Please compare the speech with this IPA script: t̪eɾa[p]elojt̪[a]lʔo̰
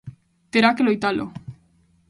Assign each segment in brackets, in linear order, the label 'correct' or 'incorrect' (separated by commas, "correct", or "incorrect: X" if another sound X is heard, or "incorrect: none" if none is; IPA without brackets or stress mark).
incorrect: k, correct